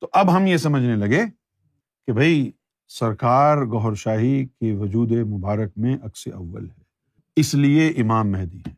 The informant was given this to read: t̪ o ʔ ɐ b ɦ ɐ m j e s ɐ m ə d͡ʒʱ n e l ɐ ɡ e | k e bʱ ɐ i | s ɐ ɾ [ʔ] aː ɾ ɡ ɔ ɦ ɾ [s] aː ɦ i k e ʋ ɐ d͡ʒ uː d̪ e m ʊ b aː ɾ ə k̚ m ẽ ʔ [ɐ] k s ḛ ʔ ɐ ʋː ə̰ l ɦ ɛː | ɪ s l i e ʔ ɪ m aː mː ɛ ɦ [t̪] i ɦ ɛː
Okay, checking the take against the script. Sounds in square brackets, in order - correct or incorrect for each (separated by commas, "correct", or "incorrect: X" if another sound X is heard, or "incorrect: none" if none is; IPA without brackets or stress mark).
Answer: incorrect: k, incorrect: ʃ, correct, incorrect: d̪